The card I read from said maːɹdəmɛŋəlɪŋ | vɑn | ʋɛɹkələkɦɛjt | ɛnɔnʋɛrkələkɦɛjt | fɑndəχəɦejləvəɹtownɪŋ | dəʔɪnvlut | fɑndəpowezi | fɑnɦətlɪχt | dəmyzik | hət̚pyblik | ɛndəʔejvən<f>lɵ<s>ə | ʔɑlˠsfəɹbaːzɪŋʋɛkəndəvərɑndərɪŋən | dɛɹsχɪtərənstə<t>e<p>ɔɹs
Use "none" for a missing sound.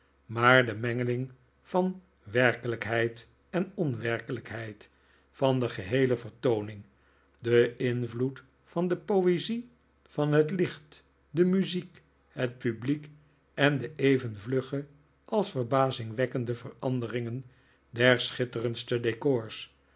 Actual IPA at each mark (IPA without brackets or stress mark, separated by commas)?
v, χ, d, k